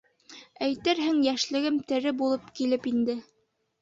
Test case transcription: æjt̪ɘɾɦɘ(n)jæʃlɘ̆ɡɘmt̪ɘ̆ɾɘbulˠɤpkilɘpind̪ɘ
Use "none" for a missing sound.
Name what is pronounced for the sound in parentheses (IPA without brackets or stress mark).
ŋ